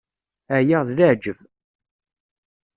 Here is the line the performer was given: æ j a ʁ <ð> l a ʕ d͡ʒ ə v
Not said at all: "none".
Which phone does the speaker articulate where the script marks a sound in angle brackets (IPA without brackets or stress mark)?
ð